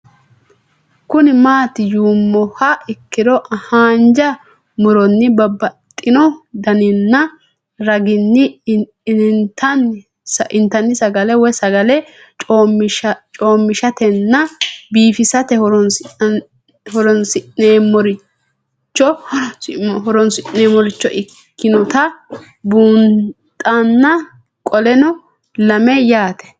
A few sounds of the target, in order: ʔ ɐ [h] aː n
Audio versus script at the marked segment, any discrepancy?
no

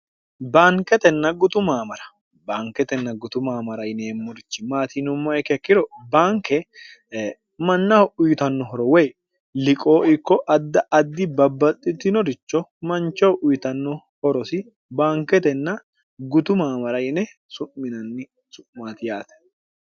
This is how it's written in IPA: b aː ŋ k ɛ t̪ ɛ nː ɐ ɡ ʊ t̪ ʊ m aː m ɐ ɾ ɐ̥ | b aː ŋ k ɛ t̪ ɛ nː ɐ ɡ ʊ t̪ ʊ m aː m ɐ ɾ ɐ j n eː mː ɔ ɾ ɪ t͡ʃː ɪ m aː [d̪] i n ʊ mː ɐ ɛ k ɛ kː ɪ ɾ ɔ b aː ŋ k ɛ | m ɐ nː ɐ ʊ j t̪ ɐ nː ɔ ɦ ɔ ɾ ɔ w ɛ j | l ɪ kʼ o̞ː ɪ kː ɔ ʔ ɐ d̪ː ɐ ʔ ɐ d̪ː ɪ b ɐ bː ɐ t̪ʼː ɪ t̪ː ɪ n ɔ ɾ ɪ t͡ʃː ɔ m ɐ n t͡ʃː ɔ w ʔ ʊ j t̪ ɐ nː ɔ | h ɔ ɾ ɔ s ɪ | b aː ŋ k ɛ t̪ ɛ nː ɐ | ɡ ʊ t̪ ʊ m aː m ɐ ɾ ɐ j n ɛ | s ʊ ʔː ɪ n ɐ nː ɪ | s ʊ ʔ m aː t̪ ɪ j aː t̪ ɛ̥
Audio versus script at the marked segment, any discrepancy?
yes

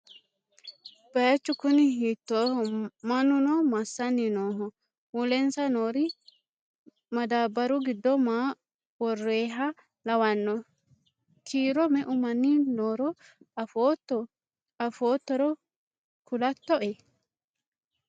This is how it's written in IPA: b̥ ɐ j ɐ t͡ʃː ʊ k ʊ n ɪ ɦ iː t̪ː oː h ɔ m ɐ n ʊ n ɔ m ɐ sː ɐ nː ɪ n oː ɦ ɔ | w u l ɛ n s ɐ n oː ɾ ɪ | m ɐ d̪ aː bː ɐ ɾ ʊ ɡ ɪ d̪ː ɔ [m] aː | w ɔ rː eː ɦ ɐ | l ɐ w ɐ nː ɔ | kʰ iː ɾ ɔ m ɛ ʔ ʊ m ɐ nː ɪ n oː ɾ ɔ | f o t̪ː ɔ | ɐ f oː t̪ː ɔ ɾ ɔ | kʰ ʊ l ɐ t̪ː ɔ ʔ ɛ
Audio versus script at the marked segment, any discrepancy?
no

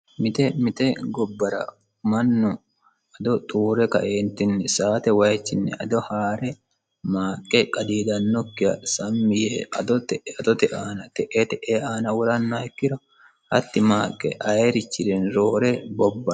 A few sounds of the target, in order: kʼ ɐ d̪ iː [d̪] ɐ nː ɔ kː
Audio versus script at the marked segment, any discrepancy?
no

